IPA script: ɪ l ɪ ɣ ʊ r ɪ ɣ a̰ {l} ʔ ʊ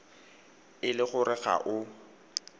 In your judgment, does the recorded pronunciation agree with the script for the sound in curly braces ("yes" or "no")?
no